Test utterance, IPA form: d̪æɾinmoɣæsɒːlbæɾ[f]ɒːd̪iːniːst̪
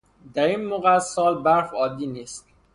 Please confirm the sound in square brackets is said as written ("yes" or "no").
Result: yes